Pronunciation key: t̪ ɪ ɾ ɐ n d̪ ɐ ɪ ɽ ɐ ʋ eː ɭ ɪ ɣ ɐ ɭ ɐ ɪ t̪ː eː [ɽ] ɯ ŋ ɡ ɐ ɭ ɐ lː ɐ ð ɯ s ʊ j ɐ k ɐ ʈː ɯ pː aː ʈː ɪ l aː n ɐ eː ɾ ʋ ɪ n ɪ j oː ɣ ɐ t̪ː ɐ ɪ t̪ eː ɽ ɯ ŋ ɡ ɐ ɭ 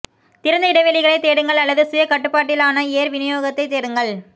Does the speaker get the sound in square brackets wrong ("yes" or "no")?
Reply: no